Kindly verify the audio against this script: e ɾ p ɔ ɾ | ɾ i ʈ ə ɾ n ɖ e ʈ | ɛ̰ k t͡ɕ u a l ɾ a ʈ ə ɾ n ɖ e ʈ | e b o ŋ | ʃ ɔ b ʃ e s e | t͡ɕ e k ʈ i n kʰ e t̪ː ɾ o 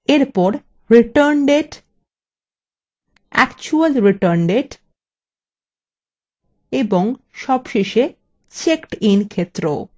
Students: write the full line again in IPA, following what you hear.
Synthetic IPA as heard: e ɾ p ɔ ɾ | ɾ i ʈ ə ɾ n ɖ e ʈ | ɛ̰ k t͡ɕ u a l ɾ i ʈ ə ɾ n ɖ e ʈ | e b o ŋ | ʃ ɔ b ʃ e ʃ e | t͡ɕ e k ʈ i n kʰ e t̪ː ɾ o

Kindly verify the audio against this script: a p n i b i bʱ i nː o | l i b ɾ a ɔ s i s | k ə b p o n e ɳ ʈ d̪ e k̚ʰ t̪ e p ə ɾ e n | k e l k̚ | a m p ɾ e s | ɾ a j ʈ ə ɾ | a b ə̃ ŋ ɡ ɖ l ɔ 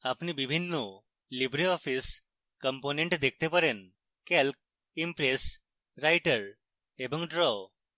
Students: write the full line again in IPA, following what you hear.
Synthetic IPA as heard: a p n i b i bʱ i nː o | l i b ɾ i ɔ f i s | k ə m p o n e ɳ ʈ d̪ e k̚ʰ t̪ e p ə ɾ e n | k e l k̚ | i m p ɾ e s | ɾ a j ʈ ə ɾ | e b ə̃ ŋ ɡ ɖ ɾ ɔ

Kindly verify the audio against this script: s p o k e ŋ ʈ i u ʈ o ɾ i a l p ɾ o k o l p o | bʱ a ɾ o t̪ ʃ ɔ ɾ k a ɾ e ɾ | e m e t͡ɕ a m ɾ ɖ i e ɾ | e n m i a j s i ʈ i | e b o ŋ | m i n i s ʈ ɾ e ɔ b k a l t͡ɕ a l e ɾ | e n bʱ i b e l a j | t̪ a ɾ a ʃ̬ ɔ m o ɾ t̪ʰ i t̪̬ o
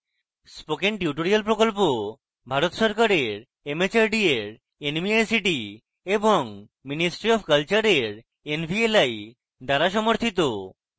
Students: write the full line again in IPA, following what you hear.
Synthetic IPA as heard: s p o k e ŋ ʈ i u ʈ o ɾ i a l p ɾ o k o l p o | bʱ a ɾ o t̪ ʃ ɔ ɾ k a ɾ e ɾ | e m e t͡ɕ a ɾ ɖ i e ɾ | e n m i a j s i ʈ i | e b o ŋ | m i n i s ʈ ɾ i ɔ b k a l t͡ɕ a ɾ e ɾ | e n bʱ i e l a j | d̪ a ɾ a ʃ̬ ɔ m o ɾ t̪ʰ i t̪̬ o

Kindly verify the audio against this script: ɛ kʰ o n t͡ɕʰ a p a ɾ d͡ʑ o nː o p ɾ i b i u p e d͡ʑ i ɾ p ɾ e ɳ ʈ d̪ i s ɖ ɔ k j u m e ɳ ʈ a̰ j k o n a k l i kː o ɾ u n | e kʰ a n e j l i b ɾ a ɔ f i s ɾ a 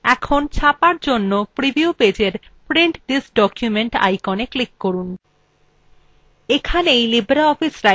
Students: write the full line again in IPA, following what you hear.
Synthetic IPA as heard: ɛ kʰ o n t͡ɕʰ a p a ɾ d͡ʑ o nː o p ɾ i b i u p e d͡ʑ e ɾ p ɾ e ɳ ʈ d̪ i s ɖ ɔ k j u m e ɳ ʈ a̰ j k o n e k l i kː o ɾ u n | e kʰ a n e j l i b ɾ a ɔ f i s ɾ a

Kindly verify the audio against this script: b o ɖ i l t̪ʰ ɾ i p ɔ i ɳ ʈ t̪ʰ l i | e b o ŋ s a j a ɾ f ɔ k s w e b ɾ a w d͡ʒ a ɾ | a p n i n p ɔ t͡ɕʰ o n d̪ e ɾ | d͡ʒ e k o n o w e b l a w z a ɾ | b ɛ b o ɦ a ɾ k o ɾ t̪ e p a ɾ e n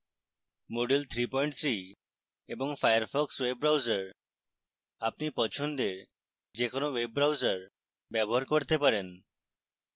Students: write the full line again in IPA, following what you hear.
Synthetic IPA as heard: m o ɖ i l t̪ʰ ɾ i p ɔ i ɳ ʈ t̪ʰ ɾ i | e b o ŋ f a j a ɾ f ɔ k s w e b ɾ a w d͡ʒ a ɾ | a p n i p ɔ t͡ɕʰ o n d̪ e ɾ | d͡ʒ e k o n o w e b ɾ a w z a ɾ | b ɛ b o ɦ a ɾ k o ɾ t̪ e p a ɾ e n

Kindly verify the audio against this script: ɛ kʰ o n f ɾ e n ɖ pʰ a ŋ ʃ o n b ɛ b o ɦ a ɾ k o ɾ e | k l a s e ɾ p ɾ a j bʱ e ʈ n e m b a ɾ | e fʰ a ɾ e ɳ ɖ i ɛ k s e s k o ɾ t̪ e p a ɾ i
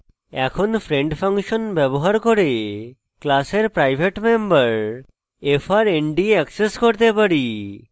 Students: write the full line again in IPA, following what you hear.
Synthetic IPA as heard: ɛ kʰ o n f ɾ e ɳ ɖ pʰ a ŋ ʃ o n b ɛ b o ɦ a ɾ k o ɾ e | k l a s e ɾ p ɾ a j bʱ e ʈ m e m b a ɾ | e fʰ a ɾ e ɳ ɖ i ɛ k s e s k o ɾ t̪ e p a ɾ i

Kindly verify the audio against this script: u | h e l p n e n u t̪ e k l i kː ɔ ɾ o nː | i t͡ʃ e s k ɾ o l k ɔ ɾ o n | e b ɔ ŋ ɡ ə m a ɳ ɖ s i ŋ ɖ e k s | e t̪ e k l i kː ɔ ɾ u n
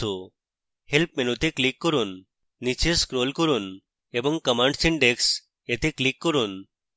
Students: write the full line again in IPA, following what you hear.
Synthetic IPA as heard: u | h e l p m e n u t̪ e k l i kː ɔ ɾ u nː | i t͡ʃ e s k ɾ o l k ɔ ɾ u n | e b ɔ ŋ k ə m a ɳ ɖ s i ɳ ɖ e k s | e t̪ e k l i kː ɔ ɾ u n

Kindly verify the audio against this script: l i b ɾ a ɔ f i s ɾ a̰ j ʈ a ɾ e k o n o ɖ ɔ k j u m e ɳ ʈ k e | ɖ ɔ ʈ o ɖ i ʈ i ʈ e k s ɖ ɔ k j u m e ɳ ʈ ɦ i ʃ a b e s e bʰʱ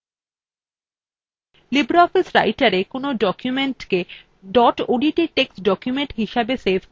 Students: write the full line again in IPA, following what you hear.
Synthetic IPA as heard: l i b ɾ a ɔ f i s ɾ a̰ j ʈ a ɾ e k o n o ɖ ɔ k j u m e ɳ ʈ k e | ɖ ɔ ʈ o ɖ i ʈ i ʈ e k s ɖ ɔ k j u m e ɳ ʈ ɦ i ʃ a b e s e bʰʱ

